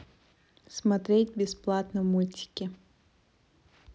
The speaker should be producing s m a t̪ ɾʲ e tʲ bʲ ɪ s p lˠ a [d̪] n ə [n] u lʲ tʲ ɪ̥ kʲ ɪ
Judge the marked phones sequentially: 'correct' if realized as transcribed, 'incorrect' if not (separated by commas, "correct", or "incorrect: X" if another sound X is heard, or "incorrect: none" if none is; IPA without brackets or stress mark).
incorrect: t̪, incorrect: m